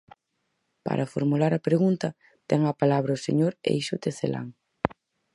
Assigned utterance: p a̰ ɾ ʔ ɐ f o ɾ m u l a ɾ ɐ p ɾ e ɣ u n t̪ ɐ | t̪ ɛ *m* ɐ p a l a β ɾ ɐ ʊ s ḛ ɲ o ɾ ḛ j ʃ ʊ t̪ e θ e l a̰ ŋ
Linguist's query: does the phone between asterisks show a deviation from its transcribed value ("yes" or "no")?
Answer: yes